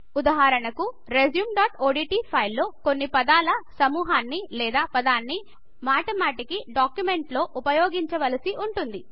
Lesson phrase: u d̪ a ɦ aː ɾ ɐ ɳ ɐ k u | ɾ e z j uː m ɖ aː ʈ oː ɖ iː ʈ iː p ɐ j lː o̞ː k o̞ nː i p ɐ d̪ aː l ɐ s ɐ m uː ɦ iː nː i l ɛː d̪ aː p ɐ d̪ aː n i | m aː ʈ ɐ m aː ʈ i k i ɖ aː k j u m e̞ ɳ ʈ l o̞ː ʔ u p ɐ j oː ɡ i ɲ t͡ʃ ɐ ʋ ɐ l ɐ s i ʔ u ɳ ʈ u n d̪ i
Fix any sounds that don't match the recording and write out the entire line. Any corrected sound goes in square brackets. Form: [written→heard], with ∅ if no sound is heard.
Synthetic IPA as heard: u d̪ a ɦ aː ɾ ɐ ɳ ɐ k u | ɾ e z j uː m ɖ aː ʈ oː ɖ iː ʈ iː [p→pʰ] ɐ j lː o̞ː k o̞ nː i p ɐ d̪ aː l ɐ s ɐ m uː ɦ [iː→aː] nː i l ɛː d̪ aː p ɐ d̪ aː [n→nː] i | m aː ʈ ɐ m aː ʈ i k i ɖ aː k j u m e̞ ɳ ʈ l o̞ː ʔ u p ɐ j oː ɡ i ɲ t͡ʃ ɐ ʋ ɐ l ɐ s i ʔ u ɳ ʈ u n d̪ i